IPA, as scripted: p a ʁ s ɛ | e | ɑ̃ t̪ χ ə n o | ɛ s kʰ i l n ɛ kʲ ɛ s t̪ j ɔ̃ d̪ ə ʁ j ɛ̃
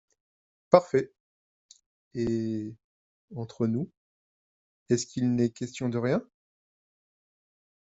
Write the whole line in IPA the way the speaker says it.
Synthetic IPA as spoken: p a ʁ f ɛ | e | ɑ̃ t̪ χ ə n u | ɛ s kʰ i l n ɛ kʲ ɛ s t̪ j ɔ̃ d̪ ə ʁ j ɛ̃

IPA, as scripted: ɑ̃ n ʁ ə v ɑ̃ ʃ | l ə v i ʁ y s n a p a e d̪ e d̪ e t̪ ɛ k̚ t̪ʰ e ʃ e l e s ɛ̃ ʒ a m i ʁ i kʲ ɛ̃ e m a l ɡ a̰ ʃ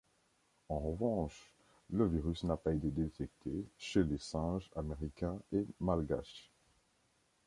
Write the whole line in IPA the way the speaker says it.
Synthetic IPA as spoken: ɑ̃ ʁ ə v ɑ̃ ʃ | l ə v i ʁ y s n a p a e t̪ e d̪ e t̪ ɛ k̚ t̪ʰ e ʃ e l e s ɛ̃ ʒ a m e ʁ i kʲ ɛ̃ e m a l ɡ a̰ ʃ

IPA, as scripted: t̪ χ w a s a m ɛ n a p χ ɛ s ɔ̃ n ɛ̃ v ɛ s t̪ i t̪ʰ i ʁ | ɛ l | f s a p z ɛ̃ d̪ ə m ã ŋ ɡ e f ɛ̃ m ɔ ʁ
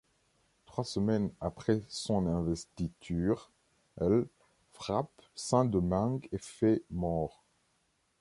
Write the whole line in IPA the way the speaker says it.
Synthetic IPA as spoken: t̪ χ w a s ə m ɛ n a p χ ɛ s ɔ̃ n ɛ̃ v ɛ s t̪ i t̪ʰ y ʁ | ɛ l | f χ a p s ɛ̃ d̪ ə m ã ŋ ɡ e f ɛ m ɔ ʁ

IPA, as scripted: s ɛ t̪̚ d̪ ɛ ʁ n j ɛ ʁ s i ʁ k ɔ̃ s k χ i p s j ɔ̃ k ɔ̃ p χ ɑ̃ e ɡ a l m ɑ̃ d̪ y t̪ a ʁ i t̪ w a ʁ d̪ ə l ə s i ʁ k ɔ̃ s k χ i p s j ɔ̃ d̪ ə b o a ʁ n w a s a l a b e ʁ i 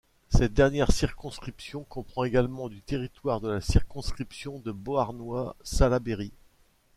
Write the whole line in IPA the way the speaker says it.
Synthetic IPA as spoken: s ɛ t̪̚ d̪ ɛ ʁ n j ɛ ʁ s i ʁ k ɔ̃ s k χ i p s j ɔ̃ k ɔ̃ p χ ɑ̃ e ɡ a l m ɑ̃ d̪ y t̪ e ʁ i t̪ w a ʁ d̪ ə l a s i ʁ k ɔ̃ s k χ i p s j ɔ̃ d̪ ə b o a ʁ n w a s a l a b e ʁ i

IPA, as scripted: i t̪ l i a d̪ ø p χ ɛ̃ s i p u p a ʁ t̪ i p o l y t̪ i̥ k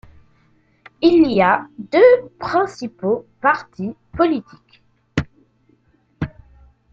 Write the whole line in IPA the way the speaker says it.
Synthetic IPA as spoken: i l i a d̪ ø p χ ɛ̃ s i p o p a ʁ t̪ i p ɔ l i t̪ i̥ k

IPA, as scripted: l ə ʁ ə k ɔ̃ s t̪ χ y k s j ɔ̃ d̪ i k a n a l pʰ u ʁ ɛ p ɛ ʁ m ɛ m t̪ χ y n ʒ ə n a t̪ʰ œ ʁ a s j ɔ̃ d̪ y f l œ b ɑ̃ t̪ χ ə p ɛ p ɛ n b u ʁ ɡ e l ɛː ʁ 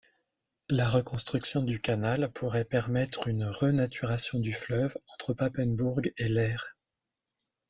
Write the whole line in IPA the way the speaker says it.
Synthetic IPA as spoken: l a ʁ ə k ɔ̃ s t̪ χ y k s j ɔ̃ d̪ y k a n a l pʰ u ʁ ɛ p ɛ ʁ m ɛ t̪ χ y n ʁ ə n a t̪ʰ y ʁ a s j ɔ̃ d̪ y f l œ v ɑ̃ t̪ χ ə p a p ɛ n b u ʁ ɡ e l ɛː ʁ

